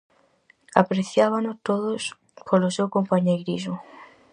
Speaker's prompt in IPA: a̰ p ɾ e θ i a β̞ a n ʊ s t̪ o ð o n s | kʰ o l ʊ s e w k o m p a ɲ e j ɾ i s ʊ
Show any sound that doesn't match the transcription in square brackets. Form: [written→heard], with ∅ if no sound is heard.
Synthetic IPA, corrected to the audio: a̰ p ɾ e θ [i→j] a β̞ a n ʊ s t̪ o ð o [n→∅] s | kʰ o l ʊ s e w k o m p a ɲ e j ɾ i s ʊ